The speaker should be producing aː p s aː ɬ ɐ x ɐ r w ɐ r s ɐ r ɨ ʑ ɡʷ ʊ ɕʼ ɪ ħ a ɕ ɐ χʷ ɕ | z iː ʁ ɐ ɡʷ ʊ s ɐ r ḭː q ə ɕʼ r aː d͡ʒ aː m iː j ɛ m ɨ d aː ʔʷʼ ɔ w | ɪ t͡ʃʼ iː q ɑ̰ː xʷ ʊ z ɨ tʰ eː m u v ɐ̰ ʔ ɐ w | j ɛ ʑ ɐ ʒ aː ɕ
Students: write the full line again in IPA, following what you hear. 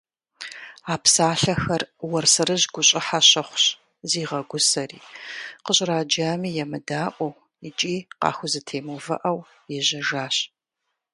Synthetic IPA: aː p s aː ɬ ɐ x ɐ r w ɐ r s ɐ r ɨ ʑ ɡʷ ʊ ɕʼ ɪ ħ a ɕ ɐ χʷ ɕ | z iː ʁ ɐ ɡʷ ʊ s ɐ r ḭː q ə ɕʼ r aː d͡ʒ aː m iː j ɛ m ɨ d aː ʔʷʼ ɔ w | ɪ t͡ʃʼ iː q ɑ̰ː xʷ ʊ z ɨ tʰ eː m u v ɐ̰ ʔ ɐ w | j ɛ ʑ ɐ ʒ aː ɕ

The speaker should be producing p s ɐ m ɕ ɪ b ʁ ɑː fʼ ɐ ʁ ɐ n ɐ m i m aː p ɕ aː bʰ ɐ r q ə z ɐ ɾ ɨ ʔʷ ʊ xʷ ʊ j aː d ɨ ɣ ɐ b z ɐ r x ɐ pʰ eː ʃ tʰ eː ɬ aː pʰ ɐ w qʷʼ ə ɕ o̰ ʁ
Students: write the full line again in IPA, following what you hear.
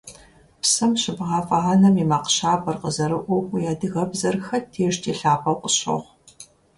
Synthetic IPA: p s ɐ m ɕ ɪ b ʁ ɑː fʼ ɐ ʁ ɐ n ɐ m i m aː q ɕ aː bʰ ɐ r q ə z ɐ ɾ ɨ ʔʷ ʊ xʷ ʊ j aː d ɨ ɣ ɐ b z ɐ r x ɐ tʰ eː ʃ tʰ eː ɬ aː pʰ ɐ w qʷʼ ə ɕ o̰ ʁ

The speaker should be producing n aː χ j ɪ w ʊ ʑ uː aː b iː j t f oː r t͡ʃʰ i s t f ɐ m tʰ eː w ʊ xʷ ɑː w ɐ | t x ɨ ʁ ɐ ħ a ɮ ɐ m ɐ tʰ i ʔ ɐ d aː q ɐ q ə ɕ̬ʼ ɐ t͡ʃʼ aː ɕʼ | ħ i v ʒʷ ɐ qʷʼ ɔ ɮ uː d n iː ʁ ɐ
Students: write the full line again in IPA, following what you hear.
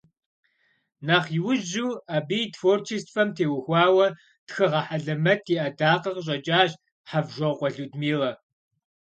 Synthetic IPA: n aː χ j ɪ w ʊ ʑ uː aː b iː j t f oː r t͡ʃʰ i s t f ɐ m tʰ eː w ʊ xʷ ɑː w ɐ | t x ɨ ʁ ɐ ħ a ɮ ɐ m ɐ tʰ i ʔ ɐ d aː q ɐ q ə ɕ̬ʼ ɐ t͡ʃʼ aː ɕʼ | ħ a v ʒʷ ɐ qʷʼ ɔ ɮ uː d m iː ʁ ɐ

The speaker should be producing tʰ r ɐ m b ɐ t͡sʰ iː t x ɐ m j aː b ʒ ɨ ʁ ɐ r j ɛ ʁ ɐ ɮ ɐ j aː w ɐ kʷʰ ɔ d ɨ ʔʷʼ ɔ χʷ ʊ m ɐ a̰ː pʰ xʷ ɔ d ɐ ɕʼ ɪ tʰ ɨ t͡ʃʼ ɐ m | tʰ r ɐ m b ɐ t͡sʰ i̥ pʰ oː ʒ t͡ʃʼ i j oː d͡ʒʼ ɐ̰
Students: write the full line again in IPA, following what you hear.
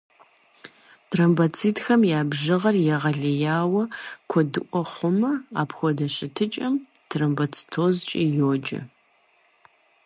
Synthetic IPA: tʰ r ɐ m b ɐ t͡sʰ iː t x ɐ m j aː b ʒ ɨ ʁ ɐ r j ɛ ʁ ɐ ɮ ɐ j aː w ɐ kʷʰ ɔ d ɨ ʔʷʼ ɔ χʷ ʊ m ɐ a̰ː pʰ xʷ ɔ d ɐ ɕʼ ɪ tʰ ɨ t͡ʃʼ ɐ m | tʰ r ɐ m b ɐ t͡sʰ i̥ tʰ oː z t͡ʃʼ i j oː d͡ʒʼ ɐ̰

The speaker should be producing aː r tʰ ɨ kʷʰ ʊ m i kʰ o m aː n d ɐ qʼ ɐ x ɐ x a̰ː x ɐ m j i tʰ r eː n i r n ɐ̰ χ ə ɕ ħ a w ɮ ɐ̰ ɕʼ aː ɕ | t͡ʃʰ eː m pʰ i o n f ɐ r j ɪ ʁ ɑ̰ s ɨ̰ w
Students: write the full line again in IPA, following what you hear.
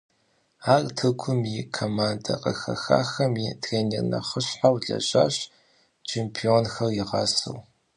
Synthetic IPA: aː r tʰ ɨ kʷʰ ʊ m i kʰ o m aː n d ɐ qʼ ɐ x ɐ x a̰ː x ɐ m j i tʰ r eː n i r n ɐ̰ χ ə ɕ ħ a w ɮ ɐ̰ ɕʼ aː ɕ | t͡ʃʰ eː m pʰ i o n x ɐ r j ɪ ʁ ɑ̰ s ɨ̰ w

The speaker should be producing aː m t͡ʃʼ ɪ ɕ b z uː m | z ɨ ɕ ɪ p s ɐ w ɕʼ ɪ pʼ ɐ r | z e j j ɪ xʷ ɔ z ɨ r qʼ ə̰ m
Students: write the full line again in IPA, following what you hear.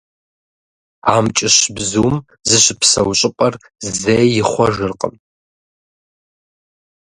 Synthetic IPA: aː m t͡ʃʼ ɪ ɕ b z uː m | z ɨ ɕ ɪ p s ɐ w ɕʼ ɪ pʼ ɐ r | z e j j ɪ χʷ ɔ ʒ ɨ r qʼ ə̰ m

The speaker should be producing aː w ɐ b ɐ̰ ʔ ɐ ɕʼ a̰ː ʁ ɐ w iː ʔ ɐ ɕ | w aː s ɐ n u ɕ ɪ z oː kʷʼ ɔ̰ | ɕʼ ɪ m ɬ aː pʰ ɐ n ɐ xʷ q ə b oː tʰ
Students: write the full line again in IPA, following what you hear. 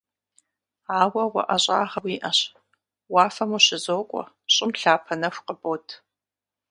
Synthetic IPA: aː w ɐ w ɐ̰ ʔ ɐ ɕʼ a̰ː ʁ ɐ w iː ʔ ɐ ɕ | w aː f ɐ m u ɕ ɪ z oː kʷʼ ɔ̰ | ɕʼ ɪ m ɬ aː pʰ ɐ n ɐ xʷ q ə b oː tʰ

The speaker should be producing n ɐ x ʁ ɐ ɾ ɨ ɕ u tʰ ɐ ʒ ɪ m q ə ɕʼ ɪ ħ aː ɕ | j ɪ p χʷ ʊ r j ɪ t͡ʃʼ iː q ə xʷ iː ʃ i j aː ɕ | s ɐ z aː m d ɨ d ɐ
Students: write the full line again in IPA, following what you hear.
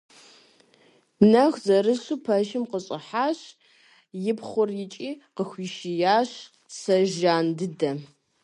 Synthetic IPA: n ɐ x z ɐ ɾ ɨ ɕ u pʰ ɐ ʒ ɪ m q ə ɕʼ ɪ ħ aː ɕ | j ɪ p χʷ ʊ r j ɪ t͡ʃʼ iː q ə xʷ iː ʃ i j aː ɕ | s ɐ ʒ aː n d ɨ d ɐ

